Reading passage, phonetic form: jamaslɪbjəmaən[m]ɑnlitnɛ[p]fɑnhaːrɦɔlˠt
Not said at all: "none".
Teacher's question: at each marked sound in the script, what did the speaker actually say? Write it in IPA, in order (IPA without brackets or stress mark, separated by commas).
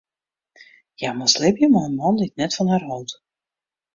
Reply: m, t